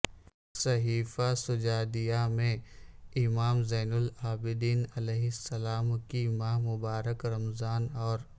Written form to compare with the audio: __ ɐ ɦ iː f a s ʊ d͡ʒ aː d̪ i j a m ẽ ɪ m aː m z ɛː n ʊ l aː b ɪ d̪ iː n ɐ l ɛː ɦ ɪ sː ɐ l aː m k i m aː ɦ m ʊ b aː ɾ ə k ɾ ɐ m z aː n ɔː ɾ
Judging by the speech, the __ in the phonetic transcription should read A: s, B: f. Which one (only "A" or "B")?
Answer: A